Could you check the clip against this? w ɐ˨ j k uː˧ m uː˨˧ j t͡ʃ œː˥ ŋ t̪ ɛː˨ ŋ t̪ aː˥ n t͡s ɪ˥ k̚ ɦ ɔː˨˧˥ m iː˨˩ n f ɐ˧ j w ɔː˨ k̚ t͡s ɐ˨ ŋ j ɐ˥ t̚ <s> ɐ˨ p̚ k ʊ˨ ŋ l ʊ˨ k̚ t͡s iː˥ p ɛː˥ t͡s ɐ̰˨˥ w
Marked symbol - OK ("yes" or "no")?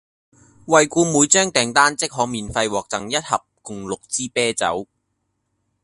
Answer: no